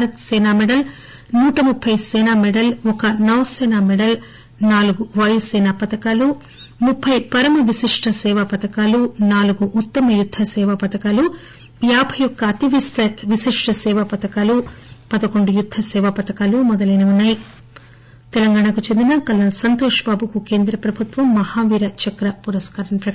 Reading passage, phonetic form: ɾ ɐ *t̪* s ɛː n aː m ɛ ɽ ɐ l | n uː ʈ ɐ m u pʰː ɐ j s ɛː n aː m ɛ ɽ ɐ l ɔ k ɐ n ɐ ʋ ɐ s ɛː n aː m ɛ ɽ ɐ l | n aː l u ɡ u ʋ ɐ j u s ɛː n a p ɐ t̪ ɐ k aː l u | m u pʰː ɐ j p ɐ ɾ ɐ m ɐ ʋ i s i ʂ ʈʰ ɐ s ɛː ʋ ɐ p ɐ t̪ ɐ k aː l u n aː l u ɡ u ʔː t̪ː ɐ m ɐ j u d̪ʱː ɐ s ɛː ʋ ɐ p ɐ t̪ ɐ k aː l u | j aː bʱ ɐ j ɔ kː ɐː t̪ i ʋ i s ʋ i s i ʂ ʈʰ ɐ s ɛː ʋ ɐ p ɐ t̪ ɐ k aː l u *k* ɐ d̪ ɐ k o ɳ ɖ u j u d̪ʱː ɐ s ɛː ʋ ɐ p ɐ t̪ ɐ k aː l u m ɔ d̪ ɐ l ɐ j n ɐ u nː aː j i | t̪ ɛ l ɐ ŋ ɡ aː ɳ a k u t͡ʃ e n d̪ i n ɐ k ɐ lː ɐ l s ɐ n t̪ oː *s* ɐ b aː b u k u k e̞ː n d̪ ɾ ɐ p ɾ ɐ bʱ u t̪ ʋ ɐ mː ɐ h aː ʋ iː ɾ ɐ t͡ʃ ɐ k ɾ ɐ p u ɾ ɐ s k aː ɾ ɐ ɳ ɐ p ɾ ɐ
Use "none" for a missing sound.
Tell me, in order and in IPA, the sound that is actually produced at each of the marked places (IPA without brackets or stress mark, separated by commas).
t̪, p, ʂ